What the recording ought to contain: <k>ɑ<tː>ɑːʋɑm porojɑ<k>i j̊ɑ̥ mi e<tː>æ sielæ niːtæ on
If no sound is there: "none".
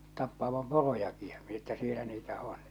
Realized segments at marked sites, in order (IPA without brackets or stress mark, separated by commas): t, pː, k, tː